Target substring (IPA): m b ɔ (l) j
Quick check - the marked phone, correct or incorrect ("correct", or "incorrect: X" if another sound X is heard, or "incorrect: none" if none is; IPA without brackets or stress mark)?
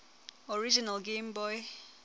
incorrect: none